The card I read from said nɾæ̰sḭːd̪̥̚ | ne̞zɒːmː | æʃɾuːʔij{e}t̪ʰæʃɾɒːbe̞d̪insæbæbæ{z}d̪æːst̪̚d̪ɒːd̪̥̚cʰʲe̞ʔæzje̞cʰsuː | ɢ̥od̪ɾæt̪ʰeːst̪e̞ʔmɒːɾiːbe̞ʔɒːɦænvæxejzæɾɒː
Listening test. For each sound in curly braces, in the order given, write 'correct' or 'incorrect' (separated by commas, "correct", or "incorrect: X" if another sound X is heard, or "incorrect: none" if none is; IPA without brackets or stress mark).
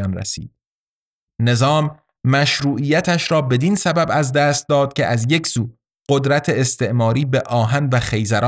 incorrect: æ, correct